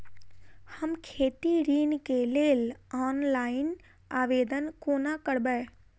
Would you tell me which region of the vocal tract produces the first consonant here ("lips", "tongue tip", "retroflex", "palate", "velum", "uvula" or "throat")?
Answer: throat